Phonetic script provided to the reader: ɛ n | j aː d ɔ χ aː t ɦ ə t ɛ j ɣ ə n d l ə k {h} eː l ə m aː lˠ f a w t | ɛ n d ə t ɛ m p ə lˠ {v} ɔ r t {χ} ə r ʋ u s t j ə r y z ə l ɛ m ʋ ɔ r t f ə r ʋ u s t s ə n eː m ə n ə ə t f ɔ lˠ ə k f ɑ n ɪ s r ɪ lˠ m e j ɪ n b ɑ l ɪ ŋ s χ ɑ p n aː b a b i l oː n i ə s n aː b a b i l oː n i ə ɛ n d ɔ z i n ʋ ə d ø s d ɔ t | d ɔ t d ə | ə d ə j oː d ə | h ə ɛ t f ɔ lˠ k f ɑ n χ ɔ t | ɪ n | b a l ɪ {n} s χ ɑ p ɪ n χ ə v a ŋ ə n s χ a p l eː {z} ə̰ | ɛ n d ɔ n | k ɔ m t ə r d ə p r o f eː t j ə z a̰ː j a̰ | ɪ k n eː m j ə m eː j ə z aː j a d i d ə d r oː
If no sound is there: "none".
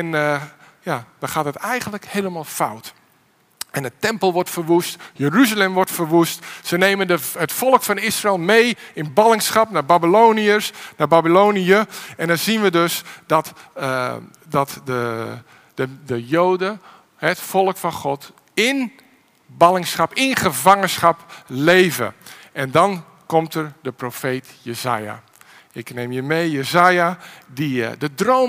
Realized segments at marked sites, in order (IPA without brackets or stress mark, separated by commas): h, ʋ, f, ŋ, v